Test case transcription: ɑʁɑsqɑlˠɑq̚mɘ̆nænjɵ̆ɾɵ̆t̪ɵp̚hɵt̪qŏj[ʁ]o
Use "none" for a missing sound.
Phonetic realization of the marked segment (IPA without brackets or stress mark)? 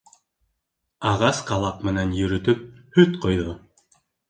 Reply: ð